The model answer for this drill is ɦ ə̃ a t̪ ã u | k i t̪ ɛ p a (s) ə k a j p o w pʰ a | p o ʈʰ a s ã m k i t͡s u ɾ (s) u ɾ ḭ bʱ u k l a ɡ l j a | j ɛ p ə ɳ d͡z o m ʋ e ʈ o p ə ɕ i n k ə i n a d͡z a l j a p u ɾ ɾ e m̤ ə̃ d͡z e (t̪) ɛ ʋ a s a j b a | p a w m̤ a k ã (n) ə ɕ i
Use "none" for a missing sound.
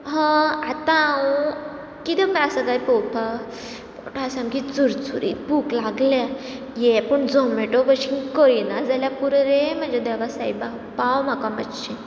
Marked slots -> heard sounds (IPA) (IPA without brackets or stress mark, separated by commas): s, t͡s, d̪, m